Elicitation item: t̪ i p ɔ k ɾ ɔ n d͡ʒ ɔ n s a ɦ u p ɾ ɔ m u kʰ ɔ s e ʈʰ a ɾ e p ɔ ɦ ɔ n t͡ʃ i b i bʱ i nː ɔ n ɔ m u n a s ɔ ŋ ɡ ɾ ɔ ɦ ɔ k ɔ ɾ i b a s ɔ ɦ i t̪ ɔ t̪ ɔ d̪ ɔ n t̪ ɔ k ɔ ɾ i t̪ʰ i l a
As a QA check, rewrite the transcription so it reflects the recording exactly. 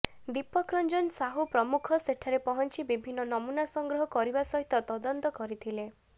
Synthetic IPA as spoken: d̪ i p ɔ k ɾ ɔ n d͡ʒ ɔ n s a ɦ u p ɾ ɔ m u kʰ ɔ s e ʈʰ a ɾ e p ɔ ɦ ɔ n t͡ʃ i b i bʱ i nː ɔ n ɔ m u n a s ɔ ŋ ɡ ɾ ɔ ɦ ɔ k ɔ ɾ i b a s ɔ ɦ i t̪ ɔ t̪ ɔ d̪ ɔ n t̪ ɔ k ɔ ɾ i t̪ʰ i l e